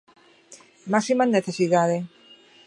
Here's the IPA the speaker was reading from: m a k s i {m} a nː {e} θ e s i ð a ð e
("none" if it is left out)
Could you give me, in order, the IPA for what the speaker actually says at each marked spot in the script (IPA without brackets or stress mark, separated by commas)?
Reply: m, e